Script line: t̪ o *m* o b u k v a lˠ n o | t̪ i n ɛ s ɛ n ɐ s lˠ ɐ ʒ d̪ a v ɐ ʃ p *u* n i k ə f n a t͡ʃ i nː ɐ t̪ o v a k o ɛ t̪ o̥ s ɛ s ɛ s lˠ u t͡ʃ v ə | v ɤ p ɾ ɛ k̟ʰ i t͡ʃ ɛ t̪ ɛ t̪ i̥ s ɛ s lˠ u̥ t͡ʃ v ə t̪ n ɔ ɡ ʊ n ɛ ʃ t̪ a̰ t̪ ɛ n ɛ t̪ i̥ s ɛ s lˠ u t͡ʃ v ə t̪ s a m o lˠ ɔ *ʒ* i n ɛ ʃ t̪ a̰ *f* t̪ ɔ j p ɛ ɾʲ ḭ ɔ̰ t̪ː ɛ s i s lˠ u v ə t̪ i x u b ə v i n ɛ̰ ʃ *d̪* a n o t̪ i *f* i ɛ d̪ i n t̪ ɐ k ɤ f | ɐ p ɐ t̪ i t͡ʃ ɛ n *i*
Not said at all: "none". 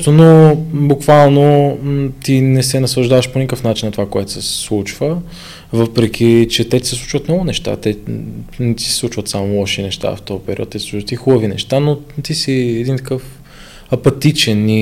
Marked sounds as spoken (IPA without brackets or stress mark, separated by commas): n, o, ʃ, f, t̪, s, i